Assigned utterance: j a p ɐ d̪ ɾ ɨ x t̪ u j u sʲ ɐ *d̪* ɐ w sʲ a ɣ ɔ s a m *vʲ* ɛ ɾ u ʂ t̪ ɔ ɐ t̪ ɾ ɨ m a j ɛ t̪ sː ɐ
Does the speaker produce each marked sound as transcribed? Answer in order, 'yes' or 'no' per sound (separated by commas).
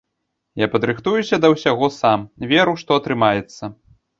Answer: yes, yes